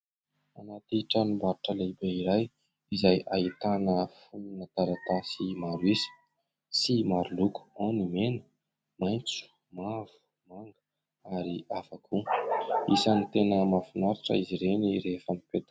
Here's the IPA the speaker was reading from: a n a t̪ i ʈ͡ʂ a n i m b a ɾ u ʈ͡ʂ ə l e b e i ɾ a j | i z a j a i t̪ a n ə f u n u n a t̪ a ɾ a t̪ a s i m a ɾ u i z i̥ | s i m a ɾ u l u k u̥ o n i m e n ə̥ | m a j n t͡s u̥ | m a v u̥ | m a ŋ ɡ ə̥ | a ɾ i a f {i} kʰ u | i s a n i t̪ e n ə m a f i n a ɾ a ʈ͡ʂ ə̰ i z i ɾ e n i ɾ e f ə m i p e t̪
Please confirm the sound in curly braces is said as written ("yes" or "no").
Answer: no